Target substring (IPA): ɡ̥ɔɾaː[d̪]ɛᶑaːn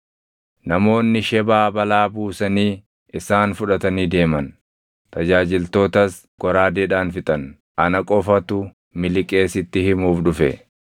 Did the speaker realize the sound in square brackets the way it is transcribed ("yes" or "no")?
yes